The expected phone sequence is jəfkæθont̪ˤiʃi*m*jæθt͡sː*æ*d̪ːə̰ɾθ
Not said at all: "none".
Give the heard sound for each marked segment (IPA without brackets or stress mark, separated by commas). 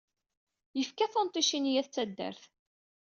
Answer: n, æ